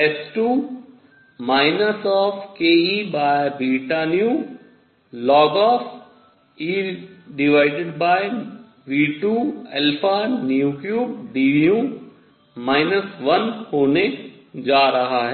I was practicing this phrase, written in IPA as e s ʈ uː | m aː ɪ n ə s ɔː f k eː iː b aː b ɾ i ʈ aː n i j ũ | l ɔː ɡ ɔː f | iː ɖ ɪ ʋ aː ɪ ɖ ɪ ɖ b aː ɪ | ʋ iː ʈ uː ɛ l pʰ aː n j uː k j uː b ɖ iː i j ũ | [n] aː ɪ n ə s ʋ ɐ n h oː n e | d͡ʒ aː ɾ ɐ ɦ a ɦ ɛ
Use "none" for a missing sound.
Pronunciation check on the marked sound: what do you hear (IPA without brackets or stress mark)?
m